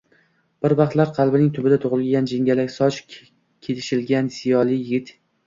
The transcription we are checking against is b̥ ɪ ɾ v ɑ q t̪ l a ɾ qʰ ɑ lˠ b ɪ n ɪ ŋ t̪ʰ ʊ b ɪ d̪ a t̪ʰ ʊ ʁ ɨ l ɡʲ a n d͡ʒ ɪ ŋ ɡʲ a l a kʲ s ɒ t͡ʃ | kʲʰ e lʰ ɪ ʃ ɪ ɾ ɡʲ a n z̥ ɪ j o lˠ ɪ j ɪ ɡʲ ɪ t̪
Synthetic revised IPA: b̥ ɪ ɾ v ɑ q t̪ l a ɾ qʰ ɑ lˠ b ɪ n ɪ ŋ t̪ʰ ʊ b ɪ d̪ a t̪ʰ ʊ ʁ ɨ l ɡʲ a n d͡ʒ ɪ ŋ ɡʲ a l a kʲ s ɒ t͡ʃ | kʲʰ e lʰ ɪ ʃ ɪ l ɡʲ a n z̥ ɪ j ɒ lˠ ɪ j ɪ ɡʲ ɪ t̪